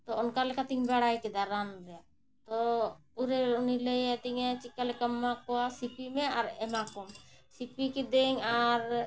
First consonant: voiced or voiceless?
voiceless